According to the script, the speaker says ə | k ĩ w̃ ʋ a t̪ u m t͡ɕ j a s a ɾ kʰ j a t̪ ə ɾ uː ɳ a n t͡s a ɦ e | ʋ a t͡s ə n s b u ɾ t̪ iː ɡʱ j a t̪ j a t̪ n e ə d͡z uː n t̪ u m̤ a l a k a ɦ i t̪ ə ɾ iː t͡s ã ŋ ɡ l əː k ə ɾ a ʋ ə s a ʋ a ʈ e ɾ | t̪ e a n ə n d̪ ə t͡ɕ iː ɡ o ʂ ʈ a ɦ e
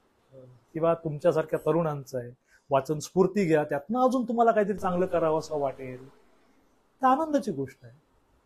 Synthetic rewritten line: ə | k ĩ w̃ ʋ a t̪ u m t͡ɕ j a s a ɾ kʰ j a t̪ ə ɾ uː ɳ a n t͡s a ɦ e | ʋ a t͡s ə n s p u ɾ t̪ iː ɡʱ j a t̪ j a t̪ n a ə d͡z uː n t̪ u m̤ a l a k a ɦ i t̪ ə ɾ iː t͡s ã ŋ ɡ l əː k ə ɾ a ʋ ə s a ʋ a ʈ e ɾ | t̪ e a n ə n d̪ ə t͡ɕ iː ɡ o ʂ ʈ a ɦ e